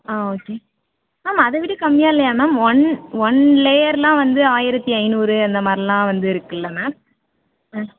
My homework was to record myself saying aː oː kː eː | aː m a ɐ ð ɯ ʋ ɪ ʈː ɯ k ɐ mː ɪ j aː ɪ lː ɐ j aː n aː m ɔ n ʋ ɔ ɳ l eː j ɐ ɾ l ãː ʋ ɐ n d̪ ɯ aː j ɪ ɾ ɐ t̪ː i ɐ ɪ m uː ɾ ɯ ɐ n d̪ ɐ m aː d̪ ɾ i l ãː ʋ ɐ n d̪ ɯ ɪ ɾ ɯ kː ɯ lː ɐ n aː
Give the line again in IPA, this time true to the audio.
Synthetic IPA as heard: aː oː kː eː | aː m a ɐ ð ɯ ʋ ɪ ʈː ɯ k ɐ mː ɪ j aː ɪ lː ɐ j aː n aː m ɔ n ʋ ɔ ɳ l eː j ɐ ɾ l ãː ʋ ɐ n d̪ ɯ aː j ɪ ɾ ɐ t̪ː i ɐ ɪ n uː ɾ ɯ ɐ n d̪ ɐ m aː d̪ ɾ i l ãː ʋ ɐ n d̪ ɯ ɪ ɾ ɯ kː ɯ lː ɐ n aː